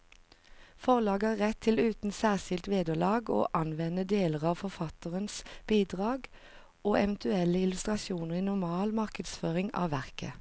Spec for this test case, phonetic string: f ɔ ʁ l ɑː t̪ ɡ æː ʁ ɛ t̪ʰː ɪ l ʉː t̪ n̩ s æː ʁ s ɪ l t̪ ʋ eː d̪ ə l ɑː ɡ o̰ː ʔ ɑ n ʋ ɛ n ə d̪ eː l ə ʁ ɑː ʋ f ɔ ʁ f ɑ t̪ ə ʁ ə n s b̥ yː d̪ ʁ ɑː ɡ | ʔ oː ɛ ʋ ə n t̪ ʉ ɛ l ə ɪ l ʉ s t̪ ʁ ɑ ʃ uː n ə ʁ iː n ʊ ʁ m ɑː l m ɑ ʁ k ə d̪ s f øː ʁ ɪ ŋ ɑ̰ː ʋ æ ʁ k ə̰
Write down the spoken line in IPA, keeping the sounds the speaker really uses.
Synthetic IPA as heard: f ɔ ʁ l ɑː ɡ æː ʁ ɛ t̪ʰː ɪ l ʉː t̪ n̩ s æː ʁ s ɪ l t̪ ʋ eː d̪ ə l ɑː ɡ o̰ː ʔ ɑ n ʋ ɛ n ə d̪ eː l ə ʁ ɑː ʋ f ɔ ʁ f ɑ t̪ ə ʁ ə n s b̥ iː d̪ ʁ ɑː ɡ | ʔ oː ɛ ʋ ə n t̪ ʉ ɛ l ə ɪ l ʉ s t̪ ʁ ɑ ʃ uː n ə ʁ iː n ʊ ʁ m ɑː l m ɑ ʁ k ə d̪ s f øː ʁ ɪ ŋ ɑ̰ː ʋ æ ʁ k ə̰